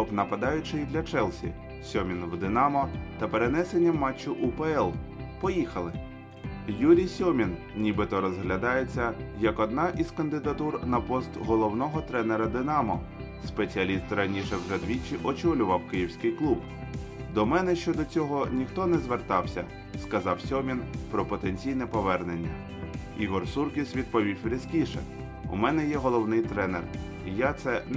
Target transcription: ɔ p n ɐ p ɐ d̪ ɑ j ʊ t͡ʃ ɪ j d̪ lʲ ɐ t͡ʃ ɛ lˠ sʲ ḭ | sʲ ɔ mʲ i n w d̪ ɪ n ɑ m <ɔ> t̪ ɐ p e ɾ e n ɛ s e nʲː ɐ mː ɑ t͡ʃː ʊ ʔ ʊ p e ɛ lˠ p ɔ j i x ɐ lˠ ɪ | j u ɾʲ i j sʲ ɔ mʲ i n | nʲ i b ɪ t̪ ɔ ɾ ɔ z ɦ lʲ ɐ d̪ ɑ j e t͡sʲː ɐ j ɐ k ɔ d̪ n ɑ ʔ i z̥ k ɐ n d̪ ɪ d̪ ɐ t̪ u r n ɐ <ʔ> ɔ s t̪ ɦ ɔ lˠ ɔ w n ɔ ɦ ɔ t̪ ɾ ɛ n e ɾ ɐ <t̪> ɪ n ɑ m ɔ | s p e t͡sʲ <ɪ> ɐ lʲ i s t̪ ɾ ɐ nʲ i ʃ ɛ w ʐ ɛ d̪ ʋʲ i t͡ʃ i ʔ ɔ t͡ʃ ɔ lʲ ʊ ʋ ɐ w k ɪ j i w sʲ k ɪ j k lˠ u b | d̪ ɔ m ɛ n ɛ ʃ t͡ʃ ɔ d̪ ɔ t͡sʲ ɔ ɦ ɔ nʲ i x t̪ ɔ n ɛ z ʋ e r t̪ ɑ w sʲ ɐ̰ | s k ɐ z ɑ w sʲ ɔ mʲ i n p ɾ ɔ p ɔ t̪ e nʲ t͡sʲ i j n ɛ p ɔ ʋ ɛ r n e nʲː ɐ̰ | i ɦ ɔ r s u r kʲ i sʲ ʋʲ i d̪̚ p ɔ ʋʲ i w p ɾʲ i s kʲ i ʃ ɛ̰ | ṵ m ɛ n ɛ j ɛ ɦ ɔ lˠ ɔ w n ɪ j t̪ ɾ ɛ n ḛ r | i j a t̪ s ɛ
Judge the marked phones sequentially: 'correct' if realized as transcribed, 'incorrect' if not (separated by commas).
correct, incorrect, incorrect, incorrect